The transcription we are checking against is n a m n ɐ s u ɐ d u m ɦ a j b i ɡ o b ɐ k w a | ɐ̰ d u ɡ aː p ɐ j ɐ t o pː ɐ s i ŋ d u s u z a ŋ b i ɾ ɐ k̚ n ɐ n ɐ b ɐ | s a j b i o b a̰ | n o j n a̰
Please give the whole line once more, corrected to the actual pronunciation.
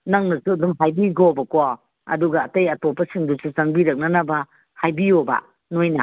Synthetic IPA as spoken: n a ŋ n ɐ s u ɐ d u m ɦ a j b i ɡ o b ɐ k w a | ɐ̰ d u ɡ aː t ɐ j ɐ t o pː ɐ s i ŋ d u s u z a ŋ b i ɾ ɐ k̚ n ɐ n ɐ b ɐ | h a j b i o b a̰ | n o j n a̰